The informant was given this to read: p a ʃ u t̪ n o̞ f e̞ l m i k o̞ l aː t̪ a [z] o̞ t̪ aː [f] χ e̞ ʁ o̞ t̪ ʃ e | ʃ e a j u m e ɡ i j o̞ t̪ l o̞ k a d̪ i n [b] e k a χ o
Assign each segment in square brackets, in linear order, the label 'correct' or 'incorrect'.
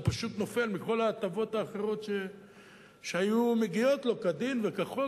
incorrect, incorrect, incorrect

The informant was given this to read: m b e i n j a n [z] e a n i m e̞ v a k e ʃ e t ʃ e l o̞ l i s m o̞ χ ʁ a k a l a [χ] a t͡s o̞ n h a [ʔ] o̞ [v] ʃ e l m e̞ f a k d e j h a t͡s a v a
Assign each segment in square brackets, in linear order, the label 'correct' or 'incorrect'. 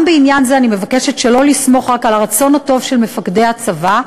correct, incorrect, incorrect, correct

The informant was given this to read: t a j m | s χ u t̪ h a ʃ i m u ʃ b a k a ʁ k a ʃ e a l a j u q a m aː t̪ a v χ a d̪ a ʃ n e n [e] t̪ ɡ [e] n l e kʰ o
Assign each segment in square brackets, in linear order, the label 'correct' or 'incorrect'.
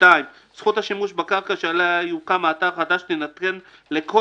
incorrect, correct

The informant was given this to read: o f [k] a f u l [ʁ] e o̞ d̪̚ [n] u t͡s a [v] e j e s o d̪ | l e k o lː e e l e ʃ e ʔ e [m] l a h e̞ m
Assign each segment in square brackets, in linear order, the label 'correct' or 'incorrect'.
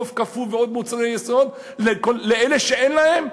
correct, incorrect, incorrect, incorrect, incorrect

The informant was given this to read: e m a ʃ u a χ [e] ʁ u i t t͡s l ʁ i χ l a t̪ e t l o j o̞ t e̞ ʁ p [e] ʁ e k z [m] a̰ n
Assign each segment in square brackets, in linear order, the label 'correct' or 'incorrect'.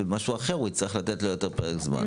correct, correct, correct

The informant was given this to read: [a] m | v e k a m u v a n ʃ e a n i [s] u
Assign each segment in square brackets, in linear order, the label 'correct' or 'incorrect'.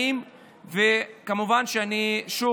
incorrect, incorrect

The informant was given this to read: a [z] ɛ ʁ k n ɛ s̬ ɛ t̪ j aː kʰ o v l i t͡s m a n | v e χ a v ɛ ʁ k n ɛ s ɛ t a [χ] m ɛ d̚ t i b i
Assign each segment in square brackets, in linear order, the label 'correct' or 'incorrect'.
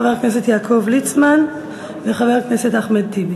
incorrect, correct

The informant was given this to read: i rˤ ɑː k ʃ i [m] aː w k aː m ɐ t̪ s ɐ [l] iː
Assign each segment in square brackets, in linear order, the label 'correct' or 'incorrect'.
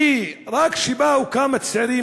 incorrect, incorrect

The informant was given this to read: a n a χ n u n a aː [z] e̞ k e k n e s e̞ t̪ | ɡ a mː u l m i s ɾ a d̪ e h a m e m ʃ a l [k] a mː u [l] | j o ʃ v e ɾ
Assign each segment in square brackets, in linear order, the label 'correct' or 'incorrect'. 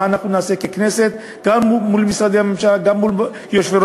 incorrect, incorrect, correct

